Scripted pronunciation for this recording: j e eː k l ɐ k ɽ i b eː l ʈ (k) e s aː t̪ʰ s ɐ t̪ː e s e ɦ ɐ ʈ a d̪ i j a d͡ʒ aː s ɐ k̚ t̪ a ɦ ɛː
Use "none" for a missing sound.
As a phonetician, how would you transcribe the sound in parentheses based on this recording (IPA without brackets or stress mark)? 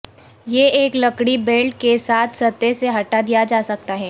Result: k